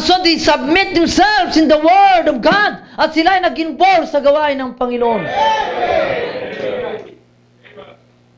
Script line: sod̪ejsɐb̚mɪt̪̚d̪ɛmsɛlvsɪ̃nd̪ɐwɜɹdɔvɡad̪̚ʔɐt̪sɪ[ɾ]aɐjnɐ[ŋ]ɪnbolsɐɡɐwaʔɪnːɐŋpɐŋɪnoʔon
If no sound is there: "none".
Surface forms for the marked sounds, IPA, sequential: l, ɡ

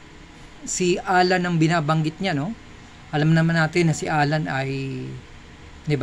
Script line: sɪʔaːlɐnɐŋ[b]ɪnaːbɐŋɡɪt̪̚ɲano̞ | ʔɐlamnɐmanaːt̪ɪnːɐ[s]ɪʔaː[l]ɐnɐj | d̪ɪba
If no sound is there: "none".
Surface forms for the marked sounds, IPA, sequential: b, s, l

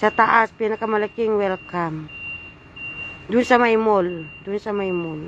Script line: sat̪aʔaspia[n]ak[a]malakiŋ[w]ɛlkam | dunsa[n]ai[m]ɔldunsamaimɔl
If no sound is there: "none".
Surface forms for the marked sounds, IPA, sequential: n, a, w, m, m

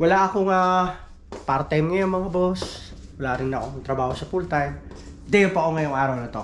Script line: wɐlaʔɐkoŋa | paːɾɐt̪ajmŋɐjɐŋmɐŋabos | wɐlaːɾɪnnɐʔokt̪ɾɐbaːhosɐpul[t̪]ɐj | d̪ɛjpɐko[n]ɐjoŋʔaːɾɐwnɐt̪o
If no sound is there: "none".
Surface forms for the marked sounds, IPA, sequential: t̪, ŋ

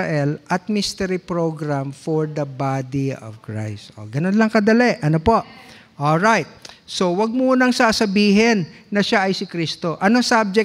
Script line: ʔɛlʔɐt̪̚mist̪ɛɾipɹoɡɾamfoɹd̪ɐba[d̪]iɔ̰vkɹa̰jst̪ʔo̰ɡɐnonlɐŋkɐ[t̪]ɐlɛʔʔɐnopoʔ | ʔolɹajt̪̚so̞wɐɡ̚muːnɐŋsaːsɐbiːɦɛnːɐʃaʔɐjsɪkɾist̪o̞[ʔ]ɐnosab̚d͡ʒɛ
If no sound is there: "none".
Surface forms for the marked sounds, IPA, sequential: d̪, d̪, ʔ

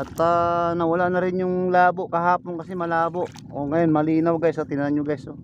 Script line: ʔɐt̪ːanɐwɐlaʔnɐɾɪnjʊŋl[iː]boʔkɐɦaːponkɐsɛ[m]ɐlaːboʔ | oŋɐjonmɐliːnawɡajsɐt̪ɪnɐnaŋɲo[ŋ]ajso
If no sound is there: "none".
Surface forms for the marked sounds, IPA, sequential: aː, m, ɡ

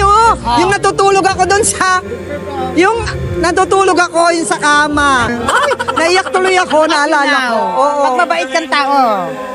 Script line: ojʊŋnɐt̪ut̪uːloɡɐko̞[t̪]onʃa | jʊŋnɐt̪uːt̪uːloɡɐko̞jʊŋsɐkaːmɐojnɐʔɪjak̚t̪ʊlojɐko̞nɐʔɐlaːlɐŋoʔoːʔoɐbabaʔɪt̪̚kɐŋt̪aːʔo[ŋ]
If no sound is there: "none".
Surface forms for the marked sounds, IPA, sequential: d̪, none

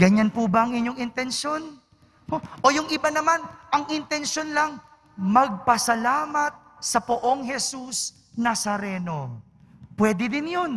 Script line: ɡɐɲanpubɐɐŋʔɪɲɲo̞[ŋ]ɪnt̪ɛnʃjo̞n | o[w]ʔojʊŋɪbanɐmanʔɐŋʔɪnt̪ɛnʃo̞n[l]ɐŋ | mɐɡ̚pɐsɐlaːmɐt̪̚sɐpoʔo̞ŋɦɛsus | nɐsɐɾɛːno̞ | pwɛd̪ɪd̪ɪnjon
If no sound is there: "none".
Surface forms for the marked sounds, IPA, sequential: ŋ, none, l

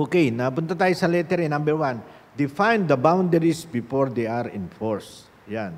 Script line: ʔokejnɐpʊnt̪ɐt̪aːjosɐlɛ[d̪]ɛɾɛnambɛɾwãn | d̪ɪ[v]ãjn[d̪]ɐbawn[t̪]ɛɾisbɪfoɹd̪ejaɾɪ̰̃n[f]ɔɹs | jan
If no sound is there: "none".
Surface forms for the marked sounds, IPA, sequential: t̪, f, d̪, d̪, f

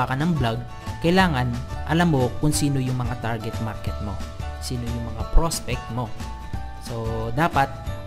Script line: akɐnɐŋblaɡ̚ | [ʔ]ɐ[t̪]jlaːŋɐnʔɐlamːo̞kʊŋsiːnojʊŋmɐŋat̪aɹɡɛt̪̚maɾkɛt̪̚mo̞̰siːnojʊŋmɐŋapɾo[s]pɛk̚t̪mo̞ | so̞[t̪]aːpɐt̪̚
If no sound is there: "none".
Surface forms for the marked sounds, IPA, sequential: k, none, s, d̪

